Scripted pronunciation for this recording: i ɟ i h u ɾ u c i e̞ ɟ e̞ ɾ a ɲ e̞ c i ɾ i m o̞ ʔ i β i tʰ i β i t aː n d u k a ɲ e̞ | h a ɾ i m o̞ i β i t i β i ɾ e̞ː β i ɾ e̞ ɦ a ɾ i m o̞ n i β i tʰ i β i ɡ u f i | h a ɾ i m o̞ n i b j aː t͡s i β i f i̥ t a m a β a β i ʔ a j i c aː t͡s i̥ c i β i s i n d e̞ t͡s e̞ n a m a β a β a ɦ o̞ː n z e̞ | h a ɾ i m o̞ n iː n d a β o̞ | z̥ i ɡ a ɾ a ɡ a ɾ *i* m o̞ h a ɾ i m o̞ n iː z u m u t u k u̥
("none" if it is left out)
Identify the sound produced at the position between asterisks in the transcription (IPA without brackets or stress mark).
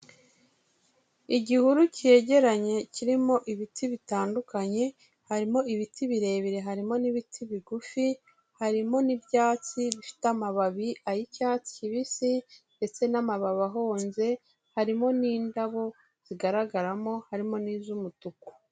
a